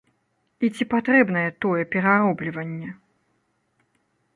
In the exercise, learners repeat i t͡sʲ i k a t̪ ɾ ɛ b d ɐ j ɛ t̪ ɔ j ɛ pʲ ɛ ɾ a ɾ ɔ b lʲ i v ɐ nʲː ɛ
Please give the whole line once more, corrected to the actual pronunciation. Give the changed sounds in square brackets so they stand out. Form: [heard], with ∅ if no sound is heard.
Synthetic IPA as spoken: i t͡sʲ i [p] a t̪ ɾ ɛ b [n] ɐ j ɛ t̪ ɔ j ɛ pʲ ɛ ɾ a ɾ ɔ b lʲ i v ɐ nʲː ɛ